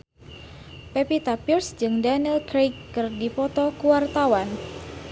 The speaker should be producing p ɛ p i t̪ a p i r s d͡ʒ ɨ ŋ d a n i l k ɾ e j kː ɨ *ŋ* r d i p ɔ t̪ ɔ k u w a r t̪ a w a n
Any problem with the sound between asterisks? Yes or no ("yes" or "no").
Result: yes